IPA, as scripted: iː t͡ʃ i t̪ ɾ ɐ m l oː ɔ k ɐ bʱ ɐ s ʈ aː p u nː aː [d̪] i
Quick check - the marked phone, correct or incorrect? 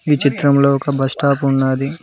correct